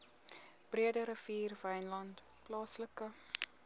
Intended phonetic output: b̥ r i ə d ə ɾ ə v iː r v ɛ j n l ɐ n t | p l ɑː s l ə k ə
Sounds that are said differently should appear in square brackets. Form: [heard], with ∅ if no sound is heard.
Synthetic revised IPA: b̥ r i ə d ə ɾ ə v iː r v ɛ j n l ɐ n t | p l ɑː s l ə k ə